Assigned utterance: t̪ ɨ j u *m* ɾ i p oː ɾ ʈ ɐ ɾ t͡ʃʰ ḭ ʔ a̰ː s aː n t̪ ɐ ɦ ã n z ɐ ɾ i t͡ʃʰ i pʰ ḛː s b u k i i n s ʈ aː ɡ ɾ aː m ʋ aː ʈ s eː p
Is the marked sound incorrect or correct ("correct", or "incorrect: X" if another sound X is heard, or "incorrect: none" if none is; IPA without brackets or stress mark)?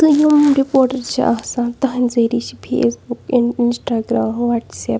correct